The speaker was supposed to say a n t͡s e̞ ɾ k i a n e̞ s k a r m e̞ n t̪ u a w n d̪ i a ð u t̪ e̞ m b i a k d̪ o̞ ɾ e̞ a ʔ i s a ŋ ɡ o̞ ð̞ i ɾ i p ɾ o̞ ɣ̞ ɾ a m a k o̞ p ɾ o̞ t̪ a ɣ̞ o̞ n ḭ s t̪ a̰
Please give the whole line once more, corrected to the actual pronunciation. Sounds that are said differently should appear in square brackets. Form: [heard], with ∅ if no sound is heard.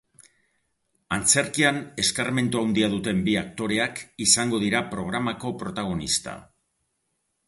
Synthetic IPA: a n t͡s e̞ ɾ k i a n e̞ s k a r m e̞ n t̪ u a w n d̪ i a ð u t̪ e̞ m b i a k [t̪] o̞ ɾ e̞ a [k] i s a ŋ ɡ o̞ ð̞ i ɾ [a] p ɾ o̞ ɣ̞ ɾ a m a k o̞ p ɾ o̞ t̪ a ɣ̞ o̞ n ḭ s t̪ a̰